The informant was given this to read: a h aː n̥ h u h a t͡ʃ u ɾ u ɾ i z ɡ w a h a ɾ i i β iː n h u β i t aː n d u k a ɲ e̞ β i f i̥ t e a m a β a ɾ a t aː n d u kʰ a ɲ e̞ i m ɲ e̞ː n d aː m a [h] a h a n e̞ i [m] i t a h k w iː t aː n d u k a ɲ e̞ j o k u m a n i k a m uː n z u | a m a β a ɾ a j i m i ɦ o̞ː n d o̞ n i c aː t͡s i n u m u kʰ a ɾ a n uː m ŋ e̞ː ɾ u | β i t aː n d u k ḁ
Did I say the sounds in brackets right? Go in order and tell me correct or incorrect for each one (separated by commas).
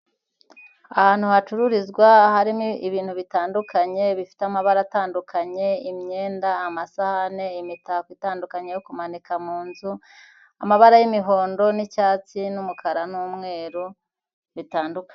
incorrect, correct